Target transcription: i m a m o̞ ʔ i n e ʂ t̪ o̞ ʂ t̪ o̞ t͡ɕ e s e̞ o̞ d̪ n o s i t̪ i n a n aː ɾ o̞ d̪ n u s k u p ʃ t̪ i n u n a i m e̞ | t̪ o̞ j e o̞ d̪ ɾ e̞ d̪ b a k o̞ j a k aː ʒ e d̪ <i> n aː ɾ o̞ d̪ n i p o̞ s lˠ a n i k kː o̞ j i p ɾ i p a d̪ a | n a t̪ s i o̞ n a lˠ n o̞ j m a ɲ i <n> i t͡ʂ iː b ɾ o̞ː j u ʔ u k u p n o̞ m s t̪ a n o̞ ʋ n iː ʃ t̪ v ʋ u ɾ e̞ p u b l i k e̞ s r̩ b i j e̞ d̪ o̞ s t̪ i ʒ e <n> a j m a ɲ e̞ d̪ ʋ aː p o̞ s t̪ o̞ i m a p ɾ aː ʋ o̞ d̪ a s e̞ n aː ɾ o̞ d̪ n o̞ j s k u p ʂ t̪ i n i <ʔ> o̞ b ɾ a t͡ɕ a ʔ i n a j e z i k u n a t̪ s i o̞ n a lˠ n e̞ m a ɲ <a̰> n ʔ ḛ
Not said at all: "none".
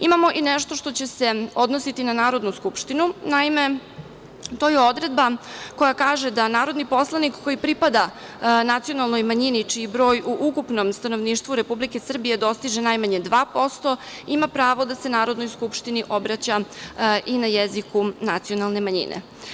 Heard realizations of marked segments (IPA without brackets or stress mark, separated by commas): a, n, n, ʔ, ḭ